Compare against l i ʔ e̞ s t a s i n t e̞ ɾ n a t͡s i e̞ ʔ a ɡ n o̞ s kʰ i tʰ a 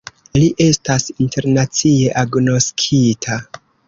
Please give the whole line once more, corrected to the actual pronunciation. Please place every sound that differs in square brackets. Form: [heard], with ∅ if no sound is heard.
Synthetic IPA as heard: l i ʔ e̞ s t a s i n t e̞ ɾ n a t͡s i e̞ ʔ a ɡ n o̞ s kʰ i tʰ a

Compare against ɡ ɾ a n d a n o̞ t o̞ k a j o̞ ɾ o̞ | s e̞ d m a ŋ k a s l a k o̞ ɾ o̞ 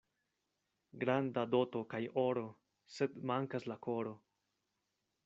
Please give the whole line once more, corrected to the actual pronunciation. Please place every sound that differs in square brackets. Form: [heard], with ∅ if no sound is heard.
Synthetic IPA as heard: ɡ ɾ a n d a [d] o̞ t o̞ k a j o̞ ɾ o̞ | s e̞ d m a ŋ k a s l a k o̞ ɾ o̞

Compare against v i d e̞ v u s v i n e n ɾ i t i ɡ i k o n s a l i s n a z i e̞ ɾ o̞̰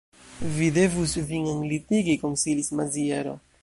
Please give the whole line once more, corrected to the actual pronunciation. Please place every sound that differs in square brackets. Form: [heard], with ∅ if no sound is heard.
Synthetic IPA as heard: v i d e̞ v u s v i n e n [l] i t i ɡ i k o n s [i] l i s [m] a z i e̞ ɾ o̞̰

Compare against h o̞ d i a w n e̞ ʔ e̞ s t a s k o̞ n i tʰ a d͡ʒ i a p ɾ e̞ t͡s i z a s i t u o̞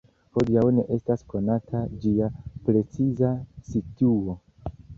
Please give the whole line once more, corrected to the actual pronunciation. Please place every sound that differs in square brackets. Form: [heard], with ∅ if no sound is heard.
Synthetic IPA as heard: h o̞ d i a w n e̞ ʔ e̞ s t a s k o̞ n [a] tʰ a d͡ʒ i a p ɾ e̞ t͡s i z a s i t u o̞

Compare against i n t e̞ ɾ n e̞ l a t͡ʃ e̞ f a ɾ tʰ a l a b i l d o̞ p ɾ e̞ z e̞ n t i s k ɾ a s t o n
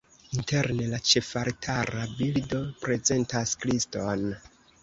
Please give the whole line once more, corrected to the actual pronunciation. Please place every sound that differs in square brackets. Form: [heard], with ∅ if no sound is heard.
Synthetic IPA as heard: i n t e̞ ɾ n e̞ l a t͡ʃ e̞ f a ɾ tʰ a [ɾ] a b i l d o̞ p ɾ e̞ z e̞ n t [a] s k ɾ [i] s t o n

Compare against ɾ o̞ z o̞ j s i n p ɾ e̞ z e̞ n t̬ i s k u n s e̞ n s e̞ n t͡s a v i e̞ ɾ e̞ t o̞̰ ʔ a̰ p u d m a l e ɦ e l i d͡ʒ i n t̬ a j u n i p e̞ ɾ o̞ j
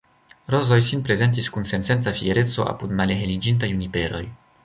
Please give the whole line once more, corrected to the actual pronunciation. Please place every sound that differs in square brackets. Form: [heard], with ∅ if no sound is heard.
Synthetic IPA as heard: ɾ o̞ z o̞ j s i n p ɾ e̞ z e̞ n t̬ i s k u n s e̞ n s e̞ n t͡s a [f] i e̞ ɾ e̞ [t͡s] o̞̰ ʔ a̰ p u d m a l e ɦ e l i d͡ʒ i n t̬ a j u n i p e̞ ɾ o̞ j

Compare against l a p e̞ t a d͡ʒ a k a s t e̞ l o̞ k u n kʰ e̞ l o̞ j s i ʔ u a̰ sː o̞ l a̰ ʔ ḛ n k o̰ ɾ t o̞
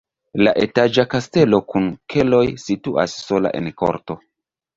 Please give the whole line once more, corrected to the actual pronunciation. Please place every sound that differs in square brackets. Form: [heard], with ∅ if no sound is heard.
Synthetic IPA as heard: l a [ʔ] e̞ t a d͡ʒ a k a s t e̞ l o̞ k u n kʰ e̞ l o̞ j s i [t] u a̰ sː o̞ l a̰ ʔ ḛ n k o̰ ɾ t o̞

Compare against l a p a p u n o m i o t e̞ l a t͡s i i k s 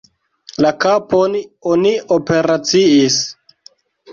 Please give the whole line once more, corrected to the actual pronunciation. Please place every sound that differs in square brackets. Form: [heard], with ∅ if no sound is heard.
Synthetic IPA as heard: l a [k] a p [o] n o [n] i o [p] e̞ [ɾ] a t͡s i i [∅] s

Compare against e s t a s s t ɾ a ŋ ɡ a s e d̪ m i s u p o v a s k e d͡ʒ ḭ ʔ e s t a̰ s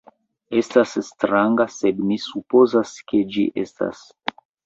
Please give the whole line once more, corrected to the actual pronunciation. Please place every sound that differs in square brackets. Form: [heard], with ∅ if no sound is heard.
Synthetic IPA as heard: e s t a s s t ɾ a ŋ ɡ a s e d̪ m i s u p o [z] a s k e d͡ʒ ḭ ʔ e s t a̰ s

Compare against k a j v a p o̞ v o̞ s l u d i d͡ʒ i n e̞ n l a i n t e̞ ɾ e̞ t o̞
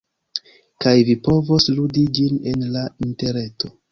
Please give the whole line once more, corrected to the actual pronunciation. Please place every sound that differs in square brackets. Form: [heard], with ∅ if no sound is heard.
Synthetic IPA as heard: k a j v [i] p o̞ v o̞ s l u d i d͡ʒ i n e̞ n l a i n t e̞ ɾ e̞ t o̞

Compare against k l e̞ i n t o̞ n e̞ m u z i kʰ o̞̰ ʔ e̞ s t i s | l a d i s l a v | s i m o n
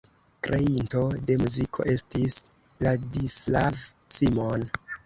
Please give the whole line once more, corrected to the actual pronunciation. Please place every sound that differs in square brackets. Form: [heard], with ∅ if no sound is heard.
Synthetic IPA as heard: k [ɾ] e̞ i n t o̞ [d] e̞ m u z i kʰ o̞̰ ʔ e̞ s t i s | l a d i s l a v | s i m o n

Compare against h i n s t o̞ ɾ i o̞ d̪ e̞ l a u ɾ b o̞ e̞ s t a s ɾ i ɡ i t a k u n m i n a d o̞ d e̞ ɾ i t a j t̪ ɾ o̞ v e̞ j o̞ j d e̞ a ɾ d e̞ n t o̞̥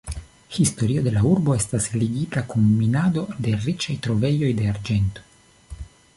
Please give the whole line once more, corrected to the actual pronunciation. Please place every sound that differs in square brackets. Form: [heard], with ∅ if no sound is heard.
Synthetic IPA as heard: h i [∅] s t o̞ ɾ i o̞ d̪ e̞ l a u ɾ b o̞ e̞ s t a s [l] i ɡ i t a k u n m i n a d o̞ d e̞ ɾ i [t͡ʃ] a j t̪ ɾ o̞ v e̞ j o̞ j d e̞ a ɾ [d͡ʒ] e̞ n t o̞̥

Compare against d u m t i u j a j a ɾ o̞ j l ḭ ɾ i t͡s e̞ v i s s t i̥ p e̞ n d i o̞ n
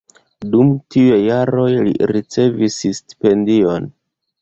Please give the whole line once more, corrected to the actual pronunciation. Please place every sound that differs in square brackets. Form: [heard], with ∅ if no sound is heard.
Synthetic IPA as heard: d u m t i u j [e] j a ɾ o̞ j l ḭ ɾ i t͡s e̞ v i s s t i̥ p e̞ n d i o̞ n

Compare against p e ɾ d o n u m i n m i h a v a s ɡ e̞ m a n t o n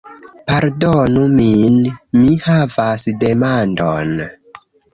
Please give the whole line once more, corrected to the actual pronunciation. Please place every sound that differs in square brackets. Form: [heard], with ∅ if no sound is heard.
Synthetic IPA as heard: p [a] ɾ d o n u m i n m i h a v a s [d] e̞ m a n [d] o n

